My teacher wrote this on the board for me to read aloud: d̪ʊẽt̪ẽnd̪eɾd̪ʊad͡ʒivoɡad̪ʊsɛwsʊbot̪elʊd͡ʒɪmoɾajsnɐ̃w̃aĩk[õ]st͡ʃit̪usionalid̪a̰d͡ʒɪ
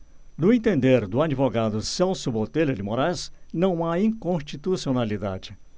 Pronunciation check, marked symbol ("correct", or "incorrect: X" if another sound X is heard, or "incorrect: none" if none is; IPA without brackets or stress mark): correct